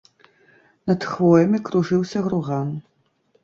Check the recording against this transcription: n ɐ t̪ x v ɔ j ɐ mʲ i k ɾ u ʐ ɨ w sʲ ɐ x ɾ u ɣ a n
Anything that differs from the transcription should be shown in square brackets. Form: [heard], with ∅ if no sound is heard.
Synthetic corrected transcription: n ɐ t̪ x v ɔ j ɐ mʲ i k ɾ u ʐ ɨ w sʲ ɐ [ɣ] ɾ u ɣ a n